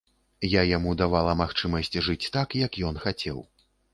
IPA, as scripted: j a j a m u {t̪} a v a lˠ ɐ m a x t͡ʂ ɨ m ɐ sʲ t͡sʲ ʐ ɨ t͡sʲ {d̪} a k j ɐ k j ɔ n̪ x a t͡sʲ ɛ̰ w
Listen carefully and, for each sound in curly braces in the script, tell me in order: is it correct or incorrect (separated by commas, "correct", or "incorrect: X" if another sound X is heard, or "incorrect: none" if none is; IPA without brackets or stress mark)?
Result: incorrect: d̪, incorrect: t̪